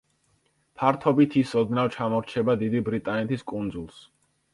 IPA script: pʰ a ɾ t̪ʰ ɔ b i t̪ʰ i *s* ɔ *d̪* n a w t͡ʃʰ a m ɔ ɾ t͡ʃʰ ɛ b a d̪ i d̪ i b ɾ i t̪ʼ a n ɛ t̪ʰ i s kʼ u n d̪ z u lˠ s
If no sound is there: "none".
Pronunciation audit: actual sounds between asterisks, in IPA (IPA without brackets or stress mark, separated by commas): s, d̪